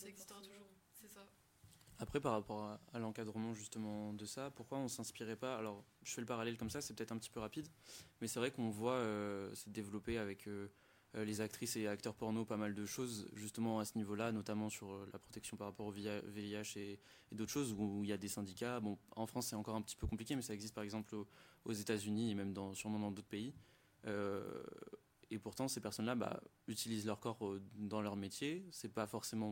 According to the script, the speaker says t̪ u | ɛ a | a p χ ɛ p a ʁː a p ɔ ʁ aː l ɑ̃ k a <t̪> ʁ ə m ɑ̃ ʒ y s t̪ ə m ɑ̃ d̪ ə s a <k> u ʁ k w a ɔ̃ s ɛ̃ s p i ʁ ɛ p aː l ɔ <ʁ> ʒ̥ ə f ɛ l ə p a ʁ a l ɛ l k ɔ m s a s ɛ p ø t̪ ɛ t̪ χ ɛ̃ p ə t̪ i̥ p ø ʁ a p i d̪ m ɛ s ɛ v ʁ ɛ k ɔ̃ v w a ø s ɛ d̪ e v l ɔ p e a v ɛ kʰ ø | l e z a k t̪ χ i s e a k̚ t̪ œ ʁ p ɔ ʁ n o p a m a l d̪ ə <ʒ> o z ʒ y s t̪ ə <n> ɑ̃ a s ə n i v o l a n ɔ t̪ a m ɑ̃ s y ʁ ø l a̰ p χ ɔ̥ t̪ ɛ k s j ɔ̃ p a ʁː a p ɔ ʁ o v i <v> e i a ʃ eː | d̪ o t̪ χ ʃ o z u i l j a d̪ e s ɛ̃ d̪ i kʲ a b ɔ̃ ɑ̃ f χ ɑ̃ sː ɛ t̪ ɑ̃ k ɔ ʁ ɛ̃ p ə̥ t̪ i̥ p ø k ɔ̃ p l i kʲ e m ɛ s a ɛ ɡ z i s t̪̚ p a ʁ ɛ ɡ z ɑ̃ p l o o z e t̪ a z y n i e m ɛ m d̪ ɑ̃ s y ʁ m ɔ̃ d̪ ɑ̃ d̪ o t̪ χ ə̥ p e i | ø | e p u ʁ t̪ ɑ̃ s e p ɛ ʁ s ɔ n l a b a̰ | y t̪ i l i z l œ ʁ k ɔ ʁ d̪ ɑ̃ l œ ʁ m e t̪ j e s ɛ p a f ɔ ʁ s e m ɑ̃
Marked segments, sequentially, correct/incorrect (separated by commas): incorrect, incorrect, correct, incorrect, incorrect, correct